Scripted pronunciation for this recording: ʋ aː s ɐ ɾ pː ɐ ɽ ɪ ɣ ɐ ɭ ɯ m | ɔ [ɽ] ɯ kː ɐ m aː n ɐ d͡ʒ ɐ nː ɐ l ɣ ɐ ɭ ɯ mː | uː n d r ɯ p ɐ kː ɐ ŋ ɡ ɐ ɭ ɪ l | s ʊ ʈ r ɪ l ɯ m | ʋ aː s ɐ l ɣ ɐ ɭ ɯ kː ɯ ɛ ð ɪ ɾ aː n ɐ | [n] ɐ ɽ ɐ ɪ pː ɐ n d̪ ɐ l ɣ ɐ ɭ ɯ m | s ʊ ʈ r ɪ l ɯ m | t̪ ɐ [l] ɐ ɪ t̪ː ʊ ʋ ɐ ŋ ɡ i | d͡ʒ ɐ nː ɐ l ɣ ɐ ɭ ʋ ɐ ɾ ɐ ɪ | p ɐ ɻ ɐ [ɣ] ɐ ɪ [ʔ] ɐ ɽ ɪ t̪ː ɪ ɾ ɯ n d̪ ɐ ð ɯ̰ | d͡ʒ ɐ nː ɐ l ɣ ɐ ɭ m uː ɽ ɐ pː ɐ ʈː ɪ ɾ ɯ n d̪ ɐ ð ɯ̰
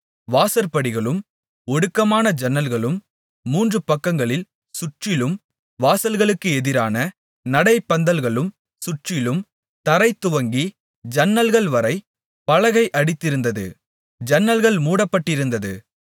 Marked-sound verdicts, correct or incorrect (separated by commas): correct, correct, incorrect, correct, correct